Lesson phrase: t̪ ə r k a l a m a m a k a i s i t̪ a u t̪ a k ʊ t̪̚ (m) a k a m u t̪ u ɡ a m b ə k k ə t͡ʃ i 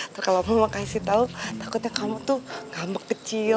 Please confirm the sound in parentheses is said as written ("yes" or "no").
no